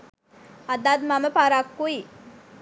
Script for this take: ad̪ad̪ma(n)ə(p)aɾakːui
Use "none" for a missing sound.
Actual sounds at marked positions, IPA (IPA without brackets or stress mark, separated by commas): m, p